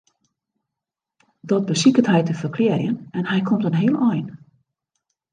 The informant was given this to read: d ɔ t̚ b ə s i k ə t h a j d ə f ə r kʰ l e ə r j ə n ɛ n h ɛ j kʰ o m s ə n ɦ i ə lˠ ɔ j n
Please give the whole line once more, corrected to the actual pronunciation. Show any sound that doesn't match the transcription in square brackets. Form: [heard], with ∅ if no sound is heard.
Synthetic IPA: d ɔ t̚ b ə s i k ə t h [ɛ] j [t] ə f ə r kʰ l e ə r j ə n ɛ n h ɛ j kʰ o m [t] ə n ɦ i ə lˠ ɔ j n